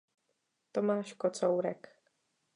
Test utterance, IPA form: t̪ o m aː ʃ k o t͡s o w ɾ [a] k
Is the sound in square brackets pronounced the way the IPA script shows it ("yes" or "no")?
no